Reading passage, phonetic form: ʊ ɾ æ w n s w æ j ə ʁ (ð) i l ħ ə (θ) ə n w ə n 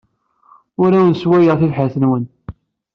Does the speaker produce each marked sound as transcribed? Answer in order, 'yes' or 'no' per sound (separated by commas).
no, yes